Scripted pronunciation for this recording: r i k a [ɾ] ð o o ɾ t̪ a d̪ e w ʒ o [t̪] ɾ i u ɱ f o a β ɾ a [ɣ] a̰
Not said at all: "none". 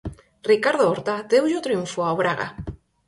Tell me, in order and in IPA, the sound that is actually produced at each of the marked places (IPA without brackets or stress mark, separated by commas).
ɾ, t̪, ɣ